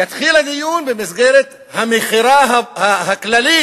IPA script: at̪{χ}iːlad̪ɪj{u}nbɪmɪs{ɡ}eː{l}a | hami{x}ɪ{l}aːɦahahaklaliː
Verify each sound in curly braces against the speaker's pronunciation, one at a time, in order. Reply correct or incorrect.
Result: incorrect, incorrect, correct, incorrect, correct, incorrect

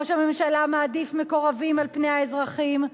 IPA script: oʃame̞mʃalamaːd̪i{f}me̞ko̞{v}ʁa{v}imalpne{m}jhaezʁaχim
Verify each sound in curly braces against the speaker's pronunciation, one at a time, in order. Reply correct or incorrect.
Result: correct, incorrect, correct, incorrect

